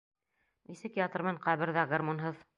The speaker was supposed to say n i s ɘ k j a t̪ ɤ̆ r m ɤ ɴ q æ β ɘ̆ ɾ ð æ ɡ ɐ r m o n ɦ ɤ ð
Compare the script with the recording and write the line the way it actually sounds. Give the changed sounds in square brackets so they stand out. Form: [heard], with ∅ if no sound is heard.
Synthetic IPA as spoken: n i s ɘ k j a t̪ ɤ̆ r m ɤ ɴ q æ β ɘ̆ ɾ ð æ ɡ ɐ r m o n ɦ ɤ ð